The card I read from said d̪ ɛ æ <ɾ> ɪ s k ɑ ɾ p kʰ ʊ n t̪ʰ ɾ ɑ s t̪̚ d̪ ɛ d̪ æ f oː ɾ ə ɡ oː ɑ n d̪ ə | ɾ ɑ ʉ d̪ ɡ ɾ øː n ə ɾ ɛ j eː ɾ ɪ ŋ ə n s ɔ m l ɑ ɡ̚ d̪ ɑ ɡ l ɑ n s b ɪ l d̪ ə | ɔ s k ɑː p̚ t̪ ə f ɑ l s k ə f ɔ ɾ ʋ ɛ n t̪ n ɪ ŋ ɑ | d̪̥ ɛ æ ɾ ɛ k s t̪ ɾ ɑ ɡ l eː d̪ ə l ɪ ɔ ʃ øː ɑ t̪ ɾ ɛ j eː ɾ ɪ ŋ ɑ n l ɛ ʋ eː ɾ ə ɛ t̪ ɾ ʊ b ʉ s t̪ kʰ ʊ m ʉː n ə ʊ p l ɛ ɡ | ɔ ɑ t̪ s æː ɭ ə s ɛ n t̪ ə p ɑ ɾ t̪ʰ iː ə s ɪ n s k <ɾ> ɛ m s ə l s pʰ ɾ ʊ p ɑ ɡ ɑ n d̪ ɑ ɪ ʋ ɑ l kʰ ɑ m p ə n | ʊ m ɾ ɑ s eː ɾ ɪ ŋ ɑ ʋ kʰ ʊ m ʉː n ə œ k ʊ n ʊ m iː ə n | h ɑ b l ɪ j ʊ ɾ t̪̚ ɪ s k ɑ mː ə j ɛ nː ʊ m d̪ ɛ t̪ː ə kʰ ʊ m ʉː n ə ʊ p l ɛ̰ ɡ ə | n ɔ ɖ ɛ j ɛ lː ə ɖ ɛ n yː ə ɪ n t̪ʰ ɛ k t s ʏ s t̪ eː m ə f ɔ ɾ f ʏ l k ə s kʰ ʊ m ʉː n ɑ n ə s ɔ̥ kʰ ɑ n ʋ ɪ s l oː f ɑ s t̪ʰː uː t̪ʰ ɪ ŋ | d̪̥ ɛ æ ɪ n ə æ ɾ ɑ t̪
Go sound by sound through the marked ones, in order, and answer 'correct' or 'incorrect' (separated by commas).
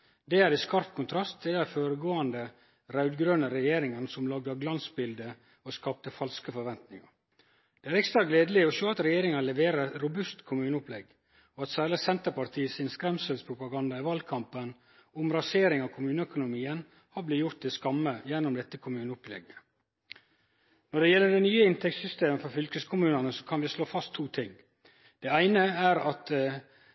correct, correct